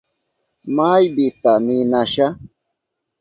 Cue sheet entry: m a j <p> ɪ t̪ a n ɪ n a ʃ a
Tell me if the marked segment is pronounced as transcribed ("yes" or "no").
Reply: no